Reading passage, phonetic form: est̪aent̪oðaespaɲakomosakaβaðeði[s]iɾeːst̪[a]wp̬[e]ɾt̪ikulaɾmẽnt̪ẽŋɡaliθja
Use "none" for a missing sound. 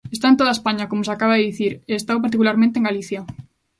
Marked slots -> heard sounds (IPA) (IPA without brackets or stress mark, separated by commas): θ, a, a